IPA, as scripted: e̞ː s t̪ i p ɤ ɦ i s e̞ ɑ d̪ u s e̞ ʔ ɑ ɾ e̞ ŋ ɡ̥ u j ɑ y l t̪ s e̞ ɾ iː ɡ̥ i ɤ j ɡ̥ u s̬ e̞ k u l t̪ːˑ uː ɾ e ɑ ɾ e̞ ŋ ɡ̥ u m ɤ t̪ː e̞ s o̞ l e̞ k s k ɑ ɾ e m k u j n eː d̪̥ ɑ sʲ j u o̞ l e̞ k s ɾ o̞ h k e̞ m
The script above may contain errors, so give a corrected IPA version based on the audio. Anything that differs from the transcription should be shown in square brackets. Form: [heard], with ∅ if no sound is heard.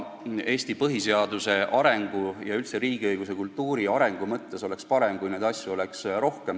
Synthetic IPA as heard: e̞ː s t̪ i p ɤ ɦ i s e̞ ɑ d̪ u s e̞ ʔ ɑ ɾ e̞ ŋ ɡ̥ u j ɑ y l t̪ s e̞ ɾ iː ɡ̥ i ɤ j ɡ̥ u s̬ e̞ k u l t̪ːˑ uː ɾ [i] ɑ ɾ e̞ ŋ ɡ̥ u m ɤ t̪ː e̞ s o̞ l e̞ k s [p] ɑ ɾ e m k u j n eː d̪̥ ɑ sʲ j u o̞ l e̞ k s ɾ o̞ h k e̞ m